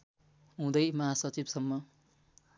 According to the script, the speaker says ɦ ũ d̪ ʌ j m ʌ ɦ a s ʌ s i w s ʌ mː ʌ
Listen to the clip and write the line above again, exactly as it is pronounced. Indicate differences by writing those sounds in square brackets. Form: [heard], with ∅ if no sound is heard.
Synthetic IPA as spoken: ɦ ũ d̪ ʌ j m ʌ ɦ a s ʌ [t͡s] i [b] s ʌ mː ʌ